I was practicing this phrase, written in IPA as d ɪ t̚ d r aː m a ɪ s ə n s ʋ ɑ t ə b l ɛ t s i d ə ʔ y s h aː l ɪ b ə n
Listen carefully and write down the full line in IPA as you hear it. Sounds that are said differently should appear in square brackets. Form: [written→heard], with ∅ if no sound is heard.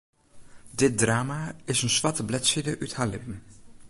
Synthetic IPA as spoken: d ɪ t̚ d r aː m a ɪ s ə n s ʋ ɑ t ə b l ɛ t s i d ə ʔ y [s→t] h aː l ɪ [b→p] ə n